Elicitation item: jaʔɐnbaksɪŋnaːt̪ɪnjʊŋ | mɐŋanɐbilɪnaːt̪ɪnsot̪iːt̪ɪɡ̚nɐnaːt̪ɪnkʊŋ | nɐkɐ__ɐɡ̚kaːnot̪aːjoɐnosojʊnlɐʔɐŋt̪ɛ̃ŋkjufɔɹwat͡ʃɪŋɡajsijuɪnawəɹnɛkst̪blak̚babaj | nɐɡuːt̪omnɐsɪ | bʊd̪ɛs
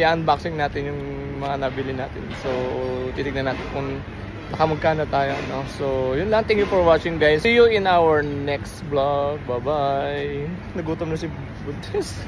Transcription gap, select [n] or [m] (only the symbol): m